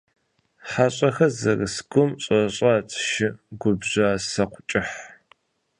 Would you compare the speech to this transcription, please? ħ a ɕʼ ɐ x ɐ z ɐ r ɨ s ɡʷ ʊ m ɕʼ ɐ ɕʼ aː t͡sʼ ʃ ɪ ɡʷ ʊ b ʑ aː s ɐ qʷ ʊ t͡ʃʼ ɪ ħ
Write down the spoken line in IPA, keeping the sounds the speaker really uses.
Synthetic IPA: ħ a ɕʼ ɐ x ɐ z ɐ r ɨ s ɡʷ ʊ m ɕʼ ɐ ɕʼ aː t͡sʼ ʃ ɪ ɡʷ ʊ b ʑ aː s ɐ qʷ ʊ t͡ʃʼ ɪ ħ